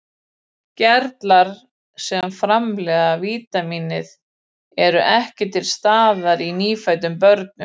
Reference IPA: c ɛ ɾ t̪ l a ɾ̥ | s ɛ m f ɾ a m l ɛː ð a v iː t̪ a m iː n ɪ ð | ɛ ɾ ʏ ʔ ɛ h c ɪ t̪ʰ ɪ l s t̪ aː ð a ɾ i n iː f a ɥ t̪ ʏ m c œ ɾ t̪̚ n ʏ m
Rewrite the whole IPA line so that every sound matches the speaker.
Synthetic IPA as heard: c ɛ ɾ t̪ l a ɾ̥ | s ɛ m f ɾ a m l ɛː ð a v iː t̪ a m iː n ɪ ð | ɛ ɾ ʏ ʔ ɛ h c ɪ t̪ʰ ɪ l s t̪ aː ð a ɾ i n iː f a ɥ t̪ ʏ m p œ ɾ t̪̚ n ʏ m